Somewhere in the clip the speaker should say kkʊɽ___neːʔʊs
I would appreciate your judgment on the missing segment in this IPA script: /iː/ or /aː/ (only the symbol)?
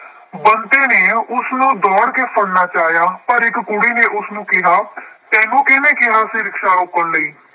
iː